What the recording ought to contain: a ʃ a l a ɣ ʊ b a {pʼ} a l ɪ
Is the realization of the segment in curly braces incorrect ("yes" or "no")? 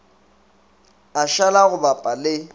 no